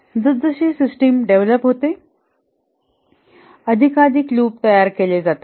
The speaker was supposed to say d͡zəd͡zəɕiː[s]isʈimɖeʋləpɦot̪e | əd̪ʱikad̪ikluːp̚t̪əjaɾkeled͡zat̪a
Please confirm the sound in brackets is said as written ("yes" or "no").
yes